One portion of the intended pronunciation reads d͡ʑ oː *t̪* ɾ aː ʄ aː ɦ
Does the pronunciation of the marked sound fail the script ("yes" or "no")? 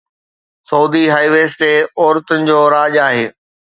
yes